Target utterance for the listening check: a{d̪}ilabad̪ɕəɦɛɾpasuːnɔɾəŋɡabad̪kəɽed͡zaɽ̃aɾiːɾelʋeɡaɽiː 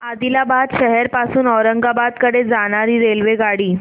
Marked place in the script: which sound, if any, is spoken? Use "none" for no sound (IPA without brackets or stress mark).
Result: d̪